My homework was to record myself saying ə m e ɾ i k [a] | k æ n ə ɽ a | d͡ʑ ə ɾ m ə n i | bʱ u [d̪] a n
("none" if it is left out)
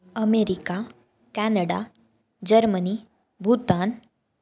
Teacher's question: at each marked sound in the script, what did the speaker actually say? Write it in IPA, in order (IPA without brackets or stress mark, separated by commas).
a, t̪